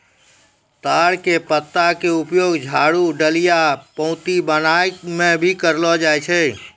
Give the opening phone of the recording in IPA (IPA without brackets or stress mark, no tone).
t̪